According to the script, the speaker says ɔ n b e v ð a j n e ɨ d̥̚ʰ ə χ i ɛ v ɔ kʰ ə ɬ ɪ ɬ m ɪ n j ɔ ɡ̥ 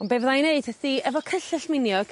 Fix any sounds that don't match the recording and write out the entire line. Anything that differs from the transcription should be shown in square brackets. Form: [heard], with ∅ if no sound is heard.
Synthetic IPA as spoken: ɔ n b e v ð a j n e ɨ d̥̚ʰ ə [θ] i ɛ v ɔ kʰ ə ɬ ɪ ɬ m ɪ n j ɔ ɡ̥